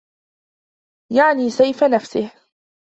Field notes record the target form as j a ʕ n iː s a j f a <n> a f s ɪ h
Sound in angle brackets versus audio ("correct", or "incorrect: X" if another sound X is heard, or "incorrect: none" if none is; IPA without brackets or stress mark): correct